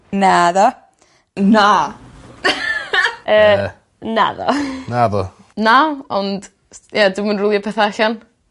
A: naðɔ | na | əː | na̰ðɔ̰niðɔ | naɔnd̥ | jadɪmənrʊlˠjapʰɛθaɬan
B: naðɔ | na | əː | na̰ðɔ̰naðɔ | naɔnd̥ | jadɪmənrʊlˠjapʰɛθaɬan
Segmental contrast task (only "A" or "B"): B